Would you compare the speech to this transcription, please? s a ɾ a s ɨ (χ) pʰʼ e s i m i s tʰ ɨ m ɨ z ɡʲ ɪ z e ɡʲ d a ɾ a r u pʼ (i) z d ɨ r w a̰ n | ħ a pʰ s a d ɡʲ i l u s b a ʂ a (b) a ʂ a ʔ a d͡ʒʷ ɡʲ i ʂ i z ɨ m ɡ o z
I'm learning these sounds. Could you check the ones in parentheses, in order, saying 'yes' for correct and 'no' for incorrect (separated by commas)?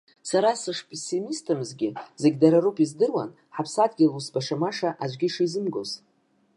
no, yes, no